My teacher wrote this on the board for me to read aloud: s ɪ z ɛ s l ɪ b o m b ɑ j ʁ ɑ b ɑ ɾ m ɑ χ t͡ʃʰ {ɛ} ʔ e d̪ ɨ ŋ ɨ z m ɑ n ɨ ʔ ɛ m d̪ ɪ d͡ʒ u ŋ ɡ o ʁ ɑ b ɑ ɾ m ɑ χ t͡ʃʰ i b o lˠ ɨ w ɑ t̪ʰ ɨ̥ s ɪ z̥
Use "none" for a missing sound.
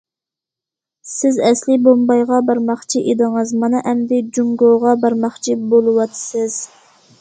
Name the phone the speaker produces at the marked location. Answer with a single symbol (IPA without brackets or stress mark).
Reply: i